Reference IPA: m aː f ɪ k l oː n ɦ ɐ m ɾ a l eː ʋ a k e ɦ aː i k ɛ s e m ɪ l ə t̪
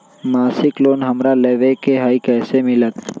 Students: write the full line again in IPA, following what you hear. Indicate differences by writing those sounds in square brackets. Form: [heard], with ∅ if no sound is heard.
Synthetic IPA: m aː [s] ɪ k l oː n ɦ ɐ m ɾ a l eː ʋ [e] k e ɦ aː i k [ɛː] s e m ɪ l ə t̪